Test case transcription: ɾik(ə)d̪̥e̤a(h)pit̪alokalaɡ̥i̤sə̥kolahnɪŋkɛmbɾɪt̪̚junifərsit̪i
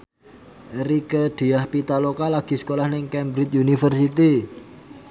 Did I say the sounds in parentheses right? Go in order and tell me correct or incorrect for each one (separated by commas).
correct, correct